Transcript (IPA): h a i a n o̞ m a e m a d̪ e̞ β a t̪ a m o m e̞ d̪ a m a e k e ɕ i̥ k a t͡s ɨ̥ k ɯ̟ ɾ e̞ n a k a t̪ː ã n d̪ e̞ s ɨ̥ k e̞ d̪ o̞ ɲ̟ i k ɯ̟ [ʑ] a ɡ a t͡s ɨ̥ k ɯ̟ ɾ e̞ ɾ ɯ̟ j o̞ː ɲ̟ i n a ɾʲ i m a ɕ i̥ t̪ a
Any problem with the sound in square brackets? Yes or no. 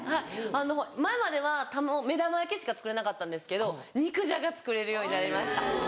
no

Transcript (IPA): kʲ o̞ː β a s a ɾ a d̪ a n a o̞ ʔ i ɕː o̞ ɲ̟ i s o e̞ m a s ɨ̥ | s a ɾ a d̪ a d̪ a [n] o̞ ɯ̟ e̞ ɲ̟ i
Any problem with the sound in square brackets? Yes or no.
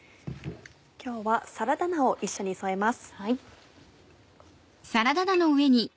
no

